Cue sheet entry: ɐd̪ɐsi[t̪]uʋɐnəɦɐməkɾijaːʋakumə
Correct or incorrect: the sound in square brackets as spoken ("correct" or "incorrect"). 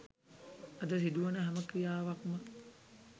incorrect